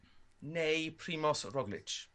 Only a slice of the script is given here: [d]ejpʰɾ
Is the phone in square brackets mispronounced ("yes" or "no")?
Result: yes